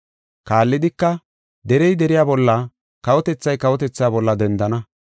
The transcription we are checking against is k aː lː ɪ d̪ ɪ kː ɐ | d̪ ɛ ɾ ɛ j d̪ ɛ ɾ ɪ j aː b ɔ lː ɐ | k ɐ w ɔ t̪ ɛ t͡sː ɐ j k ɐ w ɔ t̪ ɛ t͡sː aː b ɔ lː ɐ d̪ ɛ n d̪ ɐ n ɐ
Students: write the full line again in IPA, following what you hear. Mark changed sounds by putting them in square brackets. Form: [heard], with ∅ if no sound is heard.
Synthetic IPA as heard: k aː lː ɪ d̪ ɪ kː ɐ | d̪ ɛ ɾ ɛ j d̪ ɛ ɾ ɪ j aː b ɔ lː ɐ | k ɐ w ɔ t̪ ɛ t͡sː ɐ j k ɐ w ɔ t̪ ɛ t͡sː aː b ɔ lː ɐ d̪ ɛ n d̪ ɐ n ɐ